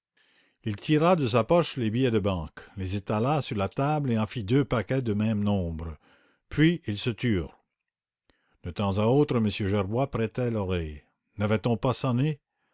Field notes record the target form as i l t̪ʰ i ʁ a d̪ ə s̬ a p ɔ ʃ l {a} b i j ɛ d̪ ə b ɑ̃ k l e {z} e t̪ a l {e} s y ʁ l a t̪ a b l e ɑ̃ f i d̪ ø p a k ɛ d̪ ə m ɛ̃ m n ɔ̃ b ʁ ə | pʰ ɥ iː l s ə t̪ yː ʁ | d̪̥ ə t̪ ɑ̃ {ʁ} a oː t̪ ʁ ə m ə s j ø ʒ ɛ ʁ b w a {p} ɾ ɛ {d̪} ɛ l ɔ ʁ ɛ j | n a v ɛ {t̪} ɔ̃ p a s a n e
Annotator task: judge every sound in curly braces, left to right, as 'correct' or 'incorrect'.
incorrect: e, correct, incorrect: a, incorrect: z, correct, incorrect: t̪, correct

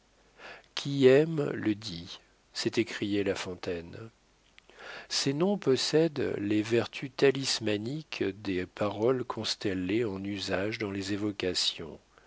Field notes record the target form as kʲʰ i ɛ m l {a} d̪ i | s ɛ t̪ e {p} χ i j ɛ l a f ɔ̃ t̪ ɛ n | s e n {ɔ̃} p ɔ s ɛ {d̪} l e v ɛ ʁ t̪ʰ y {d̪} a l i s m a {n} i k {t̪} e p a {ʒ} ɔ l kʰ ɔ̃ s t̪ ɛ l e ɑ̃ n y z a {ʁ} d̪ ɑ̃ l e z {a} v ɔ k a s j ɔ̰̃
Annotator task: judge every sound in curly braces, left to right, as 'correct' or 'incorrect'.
incorrect: ə, incorrect: k, correct, correct, incorrect: t̪, correct, incorrect: d̪, incorrect: ʁ, incorrect: ʒ, incorrect: e

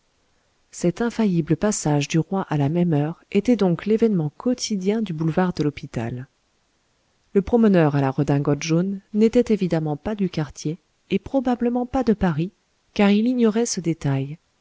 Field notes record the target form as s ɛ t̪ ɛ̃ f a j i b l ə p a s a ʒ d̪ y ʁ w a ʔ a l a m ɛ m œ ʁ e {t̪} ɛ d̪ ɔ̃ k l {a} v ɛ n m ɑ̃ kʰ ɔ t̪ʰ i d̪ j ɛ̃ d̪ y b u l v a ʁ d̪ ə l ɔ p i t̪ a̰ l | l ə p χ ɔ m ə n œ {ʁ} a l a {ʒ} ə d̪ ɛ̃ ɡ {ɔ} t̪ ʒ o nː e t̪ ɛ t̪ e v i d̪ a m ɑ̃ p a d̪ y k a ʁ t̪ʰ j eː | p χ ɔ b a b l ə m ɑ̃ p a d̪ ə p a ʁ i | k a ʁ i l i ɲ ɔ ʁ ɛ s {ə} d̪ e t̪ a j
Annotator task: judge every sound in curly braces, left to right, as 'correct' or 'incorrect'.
correct, incorrect: e, correct, incorrect: ʁ, correct, correct

